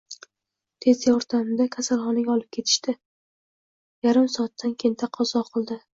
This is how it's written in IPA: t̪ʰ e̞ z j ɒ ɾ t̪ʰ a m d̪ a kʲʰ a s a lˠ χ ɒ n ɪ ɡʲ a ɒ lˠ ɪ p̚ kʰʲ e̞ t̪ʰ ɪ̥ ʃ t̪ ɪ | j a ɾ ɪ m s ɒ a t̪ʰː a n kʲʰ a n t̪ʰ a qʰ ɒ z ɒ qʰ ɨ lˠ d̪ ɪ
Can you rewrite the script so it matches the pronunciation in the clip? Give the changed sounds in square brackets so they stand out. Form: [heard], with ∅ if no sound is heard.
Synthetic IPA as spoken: t̪ʰ e̞ z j ɒ ɾ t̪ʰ a m d̪ a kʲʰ a s a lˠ χ ɒ n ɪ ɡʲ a ɒ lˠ ɪ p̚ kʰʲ e̞ t̪ʰ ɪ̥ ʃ t̪ ɪ | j a ɾ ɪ m s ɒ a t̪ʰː a n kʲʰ [e] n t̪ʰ a qʰ ɒ z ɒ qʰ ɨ lˠ d̪ ɪ